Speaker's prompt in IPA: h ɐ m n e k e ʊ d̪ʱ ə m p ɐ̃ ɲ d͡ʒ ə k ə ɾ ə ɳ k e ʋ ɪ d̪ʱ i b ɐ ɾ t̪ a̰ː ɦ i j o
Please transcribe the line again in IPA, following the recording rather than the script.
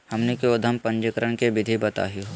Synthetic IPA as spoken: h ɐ m n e k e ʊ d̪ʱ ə m p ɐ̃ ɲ d͡ʒ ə k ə ɾ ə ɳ k e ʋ ɪ d̪ʱ i b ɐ t̪ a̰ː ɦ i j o